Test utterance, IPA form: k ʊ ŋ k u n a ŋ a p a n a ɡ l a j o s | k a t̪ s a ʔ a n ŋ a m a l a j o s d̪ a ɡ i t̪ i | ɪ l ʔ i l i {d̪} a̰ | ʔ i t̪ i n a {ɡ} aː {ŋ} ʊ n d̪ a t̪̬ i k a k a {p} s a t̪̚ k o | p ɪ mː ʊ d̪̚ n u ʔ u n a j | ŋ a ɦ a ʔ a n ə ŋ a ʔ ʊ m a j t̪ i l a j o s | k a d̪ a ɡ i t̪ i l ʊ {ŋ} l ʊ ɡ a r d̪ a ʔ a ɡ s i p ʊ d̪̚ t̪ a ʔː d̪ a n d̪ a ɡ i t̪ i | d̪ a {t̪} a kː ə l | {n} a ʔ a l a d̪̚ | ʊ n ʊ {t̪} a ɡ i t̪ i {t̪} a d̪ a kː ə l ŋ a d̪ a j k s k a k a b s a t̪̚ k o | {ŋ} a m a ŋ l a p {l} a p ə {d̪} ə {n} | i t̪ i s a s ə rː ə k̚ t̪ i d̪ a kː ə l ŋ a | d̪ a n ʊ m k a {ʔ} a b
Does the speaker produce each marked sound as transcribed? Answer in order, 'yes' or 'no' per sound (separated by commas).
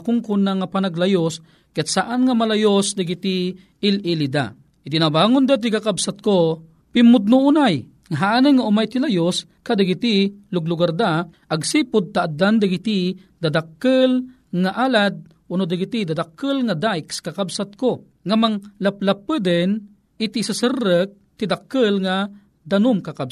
yes, no, yes, no, no, no, no, no, no, yes, yes, yes, yes, no